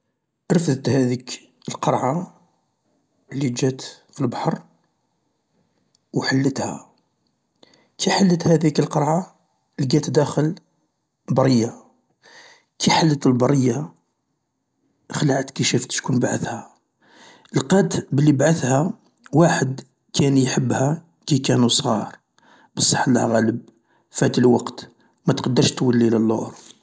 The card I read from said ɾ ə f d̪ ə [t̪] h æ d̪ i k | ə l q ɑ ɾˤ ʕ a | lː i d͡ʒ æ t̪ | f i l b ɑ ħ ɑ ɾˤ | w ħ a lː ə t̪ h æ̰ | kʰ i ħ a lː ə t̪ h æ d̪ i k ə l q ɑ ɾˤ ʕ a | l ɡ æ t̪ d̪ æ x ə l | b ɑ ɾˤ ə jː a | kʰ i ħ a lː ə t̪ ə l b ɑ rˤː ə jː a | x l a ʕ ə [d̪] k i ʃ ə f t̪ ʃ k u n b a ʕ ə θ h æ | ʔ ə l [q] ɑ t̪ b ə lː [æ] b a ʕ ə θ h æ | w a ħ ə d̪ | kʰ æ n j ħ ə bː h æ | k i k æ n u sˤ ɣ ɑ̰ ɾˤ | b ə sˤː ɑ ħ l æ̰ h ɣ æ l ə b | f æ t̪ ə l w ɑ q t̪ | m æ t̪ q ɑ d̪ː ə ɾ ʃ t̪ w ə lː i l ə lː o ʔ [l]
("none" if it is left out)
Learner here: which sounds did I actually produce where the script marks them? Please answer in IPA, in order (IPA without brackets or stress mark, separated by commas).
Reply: t̪, t̪, q, i, ɾ